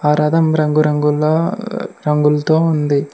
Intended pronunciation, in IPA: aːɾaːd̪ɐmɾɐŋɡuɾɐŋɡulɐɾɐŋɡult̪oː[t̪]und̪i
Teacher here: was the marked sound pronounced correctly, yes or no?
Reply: no